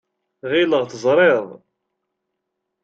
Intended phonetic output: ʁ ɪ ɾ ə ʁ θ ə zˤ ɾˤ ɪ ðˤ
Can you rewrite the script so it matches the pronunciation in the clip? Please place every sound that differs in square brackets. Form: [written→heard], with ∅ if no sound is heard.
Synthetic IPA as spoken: ʁ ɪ [ɾ→l] ə ʁ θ ə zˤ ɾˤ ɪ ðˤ

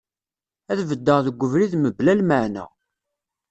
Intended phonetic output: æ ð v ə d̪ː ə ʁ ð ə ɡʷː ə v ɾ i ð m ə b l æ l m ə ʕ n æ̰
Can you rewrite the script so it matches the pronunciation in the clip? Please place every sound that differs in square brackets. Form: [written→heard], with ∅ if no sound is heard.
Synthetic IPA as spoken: æ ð v ə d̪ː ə ʁ ð ə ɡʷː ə v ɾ i ð m ə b l æ l m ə ʕ n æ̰

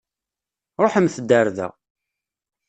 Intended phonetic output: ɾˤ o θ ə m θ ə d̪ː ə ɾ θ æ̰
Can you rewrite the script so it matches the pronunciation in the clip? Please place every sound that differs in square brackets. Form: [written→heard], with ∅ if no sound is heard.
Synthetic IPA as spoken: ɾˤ o [θ→ħ] ə m θ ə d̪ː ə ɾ [θ→ð] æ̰

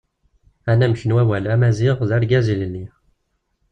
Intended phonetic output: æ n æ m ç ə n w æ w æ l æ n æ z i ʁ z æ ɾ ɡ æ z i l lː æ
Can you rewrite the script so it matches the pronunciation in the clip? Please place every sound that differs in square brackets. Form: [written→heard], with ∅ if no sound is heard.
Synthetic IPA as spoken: æ n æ m ç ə n w æ w æ l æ [n→m] æ z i ʁ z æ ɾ ɡ æ z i l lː [æ→i]

